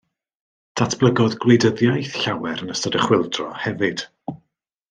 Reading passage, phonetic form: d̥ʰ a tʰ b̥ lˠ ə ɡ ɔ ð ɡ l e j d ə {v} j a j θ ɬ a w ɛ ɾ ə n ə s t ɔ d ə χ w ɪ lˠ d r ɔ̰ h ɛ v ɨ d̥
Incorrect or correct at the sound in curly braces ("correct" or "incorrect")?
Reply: incorrect